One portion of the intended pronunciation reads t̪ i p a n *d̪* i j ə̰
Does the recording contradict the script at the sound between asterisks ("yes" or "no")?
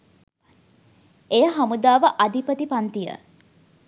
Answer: yes